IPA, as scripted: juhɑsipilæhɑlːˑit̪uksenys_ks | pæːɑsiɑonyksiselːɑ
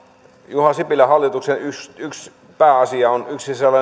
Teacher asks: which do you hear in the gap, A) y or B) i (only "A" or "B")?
A